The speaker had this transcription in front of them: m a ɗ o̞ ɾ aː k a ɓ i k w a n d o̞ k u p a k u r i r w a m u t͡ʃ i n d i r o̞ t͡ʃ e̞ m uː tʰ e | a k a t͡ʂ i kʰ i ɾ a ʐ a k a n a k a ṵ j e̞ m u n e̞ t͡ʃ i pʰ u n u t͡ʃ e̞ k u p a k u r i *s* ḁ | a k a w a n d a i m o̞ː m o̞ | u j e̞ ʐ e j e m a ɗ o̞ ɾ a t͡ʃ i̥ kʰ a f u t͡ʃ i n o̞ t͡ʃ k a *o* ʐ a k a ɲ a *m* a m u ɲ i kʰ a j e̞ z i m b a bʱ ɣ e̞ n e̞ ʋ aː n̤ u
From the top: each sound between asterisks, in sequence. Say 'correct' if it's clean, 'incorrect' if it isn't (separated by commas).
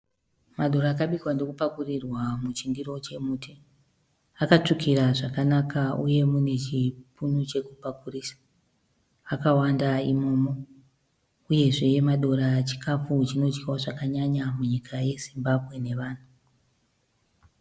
correct, correct, incorrect